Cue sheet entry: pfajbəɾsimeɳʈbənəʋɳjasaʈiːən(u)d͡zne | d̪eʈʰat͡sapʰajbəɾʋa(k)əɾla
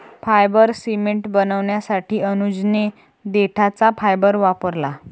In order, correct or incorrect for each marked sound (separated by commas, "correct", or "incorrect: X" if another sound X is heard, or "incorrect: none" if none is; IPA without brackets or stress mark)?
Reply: correct, incorrect: p